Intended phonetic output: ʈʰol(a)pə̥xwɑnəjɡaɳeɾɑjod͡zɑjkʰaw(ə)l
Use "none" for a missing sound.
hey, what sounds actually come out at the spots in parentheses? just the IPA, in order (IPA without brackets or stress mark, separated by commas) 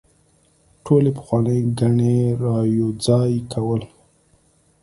e, ə